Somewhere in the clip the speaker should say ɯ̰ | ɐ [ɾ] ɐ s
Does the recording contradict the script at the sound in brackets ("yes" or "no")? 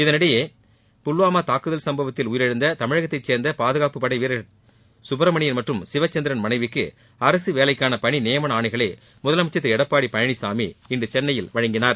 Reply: no